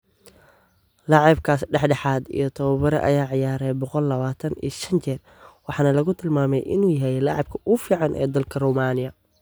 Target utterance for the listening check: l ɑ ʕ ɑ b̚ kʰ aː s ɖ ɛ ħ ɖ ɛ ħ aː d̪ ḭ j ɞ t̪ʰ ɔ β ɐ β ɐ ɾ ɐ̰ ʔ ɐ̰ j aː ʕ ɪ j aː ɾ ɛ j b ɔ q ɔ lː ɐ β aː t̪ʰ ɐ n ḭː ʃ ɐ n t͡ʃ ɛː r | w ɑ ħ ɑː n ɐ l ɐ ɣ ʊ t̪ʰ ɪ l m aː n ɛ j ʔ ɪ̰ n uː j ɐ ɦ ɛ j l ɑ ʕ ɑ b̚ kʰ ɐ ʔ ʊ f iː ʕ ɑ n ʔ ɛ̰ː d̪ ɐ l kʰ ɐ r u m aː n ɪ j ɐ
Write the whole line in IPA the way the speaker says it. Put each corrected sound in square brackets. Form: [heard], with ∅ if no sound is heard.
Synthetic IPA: l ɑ ʕ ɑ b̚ kʰ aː s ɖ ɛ ħ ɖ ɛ ħ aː d̪ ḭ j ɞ t̪ʰ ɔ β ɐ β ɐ ɾ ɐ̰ ʔ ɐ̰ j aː ʕ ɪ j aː ɾ ɛ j b ɔ q ɔ lː ɐ β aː t̪ʰ ɐ n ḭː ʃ ɐ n t͡ʃ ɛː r | w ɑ ħ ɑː n ɐ l ɐ ɣ ʊ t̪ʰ ɪ l m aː [m] ɛ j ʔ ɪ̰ n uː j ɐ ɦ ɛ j l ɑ ʕ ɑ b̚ kʰ ɐ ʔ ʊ f iː ʕ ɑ n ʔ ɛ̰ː d̪ ɐ l kʰ ɐ r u m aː n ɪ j ɐ

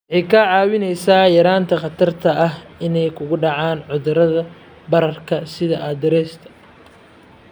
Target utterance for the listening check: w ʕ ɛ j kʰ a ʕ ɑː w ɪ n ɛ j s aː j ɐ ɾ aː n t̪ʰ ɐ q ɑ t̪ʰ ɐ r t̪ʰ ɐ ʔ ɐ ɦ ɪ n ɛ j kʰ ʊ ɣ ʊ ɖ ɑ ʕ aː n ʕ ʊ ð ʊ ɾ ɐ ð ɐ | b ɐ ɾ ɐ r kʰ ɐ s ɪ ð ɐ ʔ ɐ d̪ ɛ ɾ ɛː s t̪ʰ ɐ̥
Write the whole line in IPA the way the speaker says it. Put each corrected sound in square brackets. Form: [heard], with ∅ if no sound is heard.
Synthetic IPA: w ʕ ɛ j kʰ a ʕ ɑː w ɪ n ɛ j s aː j ɐ ɾ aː n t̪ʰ ɐ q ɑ t̪ʰ ɐ r t̪ʰ ɐ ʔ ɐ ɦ ɪ n ɛ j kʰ ʊ ɣ ʊ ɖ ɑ ʕ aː n ʕ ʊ ð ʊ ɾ ɐ ð ɐ | b ɐ ɾ ɐ r kʰ ɐ s ɪ ð ɐ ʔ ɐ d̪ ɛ ɾ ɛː s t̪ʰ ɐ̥

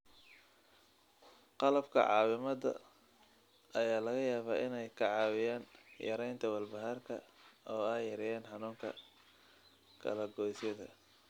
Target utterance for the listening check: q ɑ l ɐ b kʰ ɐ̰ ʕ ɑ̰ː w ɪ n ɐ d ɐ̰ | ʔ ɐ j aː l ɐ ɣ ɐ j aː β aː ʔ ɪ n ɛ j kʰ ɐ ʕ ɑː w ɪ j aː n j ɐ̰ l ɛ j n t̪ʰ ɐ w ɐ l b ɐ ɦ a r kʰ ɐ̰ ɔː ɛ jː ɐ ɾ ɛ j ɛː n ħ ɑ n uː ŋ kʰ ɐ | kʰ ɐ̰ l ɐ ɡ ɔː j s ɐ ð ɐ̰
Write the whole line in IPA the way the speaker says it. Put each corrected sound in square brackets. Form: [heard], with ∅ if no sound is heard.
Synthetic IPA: q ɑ l ɐ b kʰ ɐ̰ ʕ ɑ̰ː w ɪ [m] ɐ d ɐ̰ | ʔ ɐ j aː l ɐ ɣ ɐ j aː β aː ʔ ɪ n ɛ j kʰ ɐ ʕ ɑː w ɪ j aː n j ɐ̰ [ɾ] ɛ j n t̪ʰ ɐ w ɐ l b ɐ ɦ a r kʰ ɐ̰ ɔː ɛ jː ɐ ɾ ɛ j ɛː n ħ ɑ n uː ŋ kʰ ɐ | kʰ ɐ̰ l ɐ ɡ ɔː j s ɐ ð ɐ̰

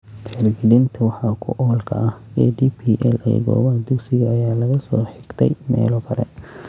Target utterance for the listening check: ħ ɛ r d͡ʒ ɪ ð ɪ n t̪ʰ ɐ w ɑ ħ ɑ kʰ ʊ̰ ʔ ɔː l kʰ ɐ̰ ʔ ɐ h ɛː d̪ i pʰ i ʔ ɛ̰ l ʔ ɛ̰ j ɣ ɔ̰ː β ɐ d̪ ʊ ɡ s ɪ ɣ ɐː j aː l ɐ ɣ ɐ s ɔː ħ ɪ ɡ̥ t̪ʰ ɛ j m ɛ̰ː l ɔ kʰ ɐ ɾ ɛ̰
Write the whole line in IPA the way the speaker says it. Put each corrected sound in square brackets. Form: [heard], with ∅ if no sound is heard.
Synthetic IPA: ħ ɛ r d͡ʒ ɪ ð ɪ n t̪ʰ ɐ w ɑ ħ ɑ kʰ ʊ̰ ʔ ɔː l kʰ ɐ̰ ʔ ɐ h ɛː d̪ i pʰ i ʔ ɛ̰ l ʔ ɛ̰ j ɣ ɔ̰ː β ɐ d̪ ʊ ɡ s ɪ ɣ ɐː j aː l ɐ ɣ ɐ s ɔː ħ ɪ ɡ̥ t̪ʰ ɛ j m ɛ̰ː l ɔ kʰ ɐ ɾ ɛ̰

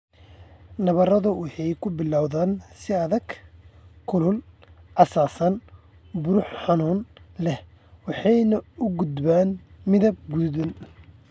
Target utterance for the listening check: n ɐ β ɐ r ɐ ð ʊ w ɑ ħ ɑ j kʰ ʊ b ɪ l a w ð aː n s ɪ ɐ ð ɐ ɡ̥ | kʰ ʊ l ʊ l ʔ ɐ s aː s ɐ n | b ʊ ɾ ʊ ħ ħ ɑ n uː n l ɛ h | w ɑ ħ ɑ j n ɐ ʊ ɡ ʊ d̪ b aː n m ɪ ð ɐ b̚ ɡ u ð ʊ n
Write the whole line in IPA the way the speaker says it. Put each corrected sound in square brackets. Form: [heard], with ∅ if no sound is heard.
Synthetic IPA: n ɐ β ɐ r ɐ ð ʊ w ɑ ħ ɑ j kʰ ʊ b ɪ l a w ð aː n s ɪ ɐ ð ɐ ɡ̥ | kʰ ʊ l ʊ l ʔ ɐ s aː s ɐ n | b ʊ ɾ ʊ ħ ħ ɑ n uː n l ɛ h | w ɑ ħ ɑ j n ɐ ʊ ɡ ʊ d̪ b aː n m ɪ ð ɐ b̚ ɡ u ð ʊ n

